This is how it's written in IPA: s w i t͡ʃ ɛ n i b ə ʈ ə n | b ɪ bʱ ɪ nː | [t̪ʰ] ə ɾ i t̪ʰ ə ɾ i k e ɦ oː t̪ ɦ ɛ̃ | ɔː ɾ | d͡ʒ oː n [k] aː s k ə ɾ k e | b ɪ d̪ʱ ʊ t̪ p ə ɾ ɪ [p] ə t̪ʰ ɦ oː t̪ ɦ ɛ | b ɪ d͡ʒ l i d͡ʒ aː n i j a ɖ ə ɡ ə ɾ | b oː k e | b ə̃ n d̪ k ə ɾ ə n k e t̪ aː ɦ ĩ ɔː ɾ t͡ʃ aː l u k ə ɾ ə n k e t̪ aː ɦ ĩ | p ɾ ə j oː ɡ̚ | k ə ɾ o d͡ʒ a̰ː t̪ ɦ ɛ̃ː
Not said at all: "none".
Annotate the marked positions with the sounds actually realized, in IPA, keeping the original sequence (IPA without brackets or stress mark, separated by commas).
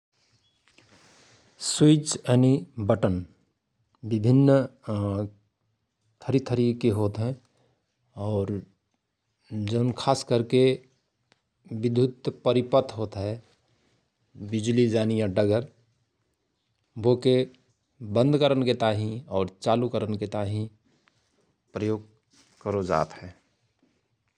t̪ʰ, kʰ, p